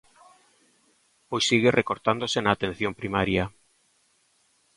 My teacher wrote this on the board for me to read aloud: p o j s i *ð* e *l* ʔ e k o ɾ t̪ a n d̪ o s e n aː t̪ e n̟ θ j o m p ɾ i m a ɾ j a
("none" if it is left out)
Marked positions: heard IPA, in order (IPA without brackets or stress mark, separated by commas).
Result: ɣ, r